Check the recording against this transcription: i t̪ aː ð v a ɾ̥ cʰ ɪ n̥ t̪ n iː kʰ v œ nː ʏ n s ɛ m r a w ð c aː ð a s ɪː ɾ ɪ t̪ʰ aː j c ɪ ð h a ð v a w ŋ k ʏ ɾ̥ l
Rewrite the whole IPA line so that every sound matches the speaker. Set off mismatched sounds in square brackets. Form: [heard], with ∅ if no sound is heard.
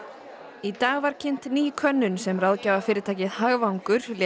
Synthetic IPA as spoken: i t̪ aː [ɣ] v a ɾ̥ cʰ ɪ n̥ t̪ n iː kʰ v œ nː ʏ n s ɛ m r a w ð c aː [v] a [f] ɪː ɾ ɪ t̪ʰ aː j c ɪ ð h a [ɣ] v a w ŋ k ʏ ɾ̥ l